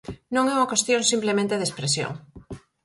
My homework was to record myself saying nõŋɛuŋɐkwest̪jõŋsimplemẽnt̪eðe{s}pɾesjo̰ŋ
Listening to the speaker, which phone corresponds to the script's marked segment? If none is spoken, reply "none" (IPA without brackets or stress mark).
s